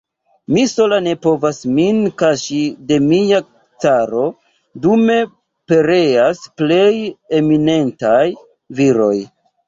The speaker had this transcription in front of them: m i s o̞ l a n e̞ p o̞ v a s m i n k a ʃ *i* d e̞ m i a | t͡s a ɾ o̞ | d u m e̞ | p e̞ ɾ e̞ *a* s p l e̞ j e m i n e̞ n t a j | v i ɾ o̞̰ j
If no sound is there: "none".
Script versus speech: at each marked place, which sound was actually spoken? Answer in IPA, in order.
i, a

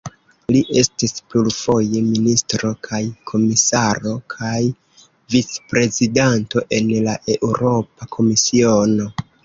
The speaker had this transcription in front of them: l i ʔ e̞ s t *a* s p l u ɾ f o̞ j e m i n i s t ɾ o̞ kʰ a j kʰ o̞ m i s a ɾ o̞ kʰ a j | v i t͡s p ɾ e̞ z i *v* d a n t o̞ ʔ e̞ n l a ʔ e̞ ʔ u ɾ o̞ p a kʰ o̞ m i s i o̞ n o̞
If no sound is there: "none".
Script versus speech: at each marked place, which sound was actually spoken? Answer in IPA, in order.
i, none

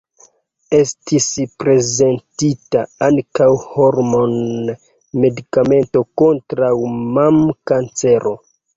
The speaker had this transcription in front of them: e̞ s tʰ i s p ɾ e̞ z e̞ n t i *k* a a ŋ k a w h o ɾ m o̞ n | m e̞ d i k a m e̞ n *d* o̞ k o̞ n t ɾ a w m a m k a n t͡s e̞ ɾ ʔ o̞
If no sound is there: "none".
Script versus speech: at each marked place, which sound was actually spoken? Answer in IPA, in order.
t, t

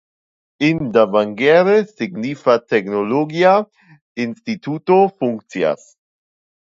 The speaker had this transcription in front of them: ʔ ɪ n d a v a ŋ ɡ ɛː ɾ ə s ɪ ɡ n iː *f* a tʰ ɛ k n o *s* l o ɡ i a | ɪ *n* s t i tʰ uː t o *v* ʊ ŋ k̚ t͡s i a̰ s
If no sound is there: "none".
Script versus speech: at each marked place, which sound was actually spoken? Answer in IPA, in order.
f, none, n, f

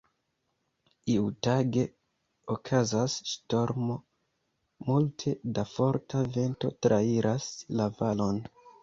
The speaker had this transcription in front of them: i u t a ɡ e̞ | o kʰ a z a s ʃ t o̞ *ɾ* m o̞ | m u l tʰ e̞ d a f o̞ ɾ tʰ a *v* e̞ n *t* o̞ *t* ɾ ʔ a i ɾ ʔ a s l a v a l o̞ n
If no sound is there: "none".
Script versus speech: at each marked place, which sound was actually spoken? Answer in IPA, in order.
ɾ, v, t, t

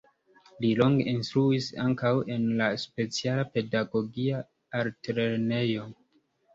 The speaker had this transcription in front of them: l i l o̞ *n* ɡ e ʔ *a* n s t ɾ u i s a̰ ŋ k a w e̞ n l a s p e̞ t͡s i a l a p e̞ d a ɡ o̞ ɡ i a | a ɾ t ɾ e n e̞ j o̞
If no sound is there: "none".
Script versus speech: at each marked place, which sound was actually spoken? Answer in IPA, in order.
ŋ, i

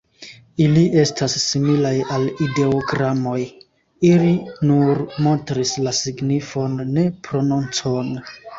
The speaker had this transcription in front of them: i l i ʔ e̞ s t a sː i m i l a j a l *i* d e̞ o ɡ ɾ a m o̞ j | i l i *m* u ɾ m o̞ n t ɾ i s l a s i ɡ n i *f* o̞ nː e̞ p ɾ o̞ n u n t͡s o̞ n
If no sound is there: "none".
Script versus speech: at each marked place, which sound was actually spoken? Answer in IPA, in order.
i, n, f

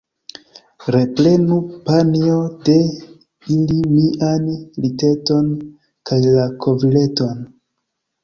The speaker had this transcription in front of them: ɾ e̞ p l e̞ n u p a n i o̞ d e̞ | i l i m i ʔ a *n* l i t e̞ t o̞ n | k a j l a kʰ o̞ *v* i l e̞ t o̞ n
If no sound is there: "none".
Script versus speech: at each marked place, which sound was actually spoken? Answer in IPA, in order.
n, v

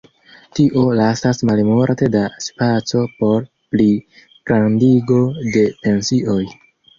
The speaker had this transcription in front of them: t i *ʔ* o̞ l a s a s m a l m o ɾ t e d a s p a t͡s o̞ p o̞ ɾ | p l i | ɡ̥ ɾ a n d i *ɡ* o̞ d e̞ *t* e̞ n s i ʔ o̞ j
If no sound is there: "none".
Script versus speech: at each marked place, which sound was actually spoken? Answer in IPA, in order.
ʔ, ɡ, p

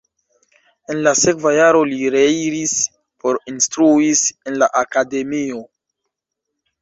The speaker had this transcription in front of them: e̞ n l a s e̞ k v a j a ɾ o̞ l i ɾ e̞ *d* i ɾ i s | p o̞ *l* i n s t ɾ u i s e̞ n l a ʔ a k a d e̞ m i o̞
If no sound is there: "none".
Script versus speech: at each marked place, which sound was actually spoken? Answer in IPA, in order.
none, ɾ

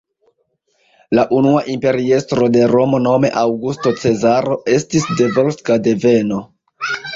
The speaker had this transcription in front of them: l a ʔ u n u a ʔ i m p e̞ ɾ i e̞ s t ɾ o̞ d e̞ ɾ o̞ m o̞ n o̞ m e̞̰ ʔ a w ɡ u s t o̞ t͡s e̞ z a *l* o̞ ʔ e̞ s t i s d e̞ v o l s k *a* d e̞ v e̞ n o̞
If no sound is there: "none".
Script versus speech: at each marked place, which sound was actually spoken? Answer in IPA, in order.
ɾ, a

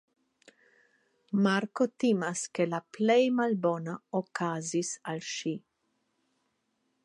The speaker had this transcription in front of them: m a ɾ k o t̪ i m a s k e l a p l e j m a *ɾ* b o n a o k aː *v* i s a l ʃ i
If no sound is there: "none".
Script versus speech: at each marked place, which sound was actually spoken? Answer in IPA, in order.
l, z

